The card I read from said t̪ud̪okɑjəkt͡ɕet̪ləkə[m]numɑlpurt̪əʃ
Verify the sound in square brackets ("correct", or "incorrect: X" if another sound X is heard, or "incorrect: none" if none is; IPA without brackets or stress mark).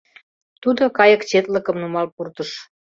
correct